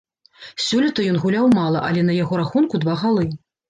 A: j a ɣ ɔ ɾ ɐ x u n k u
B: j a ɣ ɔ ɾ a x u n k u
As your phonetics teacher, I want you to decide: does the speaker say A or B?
B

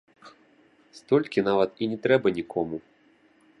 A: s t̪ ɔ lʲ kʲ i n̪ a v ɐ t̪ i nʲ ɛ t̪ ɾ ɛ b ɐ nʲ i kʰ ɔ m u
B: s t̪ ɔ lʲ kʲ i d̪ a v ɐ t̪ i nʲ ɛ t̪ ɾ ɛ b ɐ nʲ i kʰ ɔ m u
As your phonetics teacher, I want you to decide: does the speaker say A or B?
A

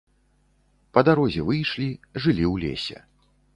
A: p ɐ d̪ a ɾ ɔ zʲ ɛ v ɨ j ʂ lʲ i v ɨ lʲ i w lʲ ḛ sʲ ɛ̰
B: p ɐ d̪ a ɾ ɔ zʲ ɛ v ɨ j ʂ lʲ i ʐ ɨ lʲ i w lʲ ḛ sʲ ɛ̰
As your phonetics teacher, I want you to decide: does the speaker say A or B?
B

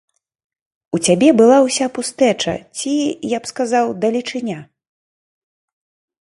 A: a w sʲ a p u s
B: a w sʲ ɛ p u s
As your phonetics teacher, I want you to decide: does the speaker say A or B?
A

